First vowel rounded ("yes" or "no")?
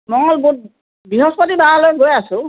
yes